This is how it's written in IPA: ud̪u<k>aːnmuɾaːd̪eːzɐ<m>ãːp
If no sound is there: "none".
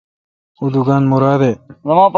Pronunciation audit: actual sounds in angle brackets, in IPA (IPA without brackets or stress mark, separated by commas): ɡ, m